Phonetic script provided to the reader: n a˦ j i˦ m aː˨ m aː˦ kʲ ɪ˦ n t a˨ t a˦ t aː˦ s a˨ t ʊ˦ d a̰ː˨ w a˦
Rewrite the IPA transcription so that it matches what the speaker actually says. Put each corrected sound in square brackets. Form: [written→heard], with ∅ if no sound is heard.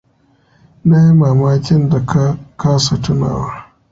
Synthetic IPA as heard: n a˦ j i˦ m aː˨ m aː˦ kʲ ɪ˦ n [t→d] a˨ [t→k] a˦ [t→k] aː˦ s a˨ t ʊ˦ [d→n] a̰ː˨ w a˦